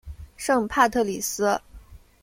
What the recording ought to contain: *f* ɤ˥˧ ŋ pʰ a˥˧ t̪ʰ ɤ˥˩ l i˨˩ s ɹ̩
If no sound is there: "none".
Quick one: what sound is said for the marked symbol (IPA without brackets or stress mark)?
ʂ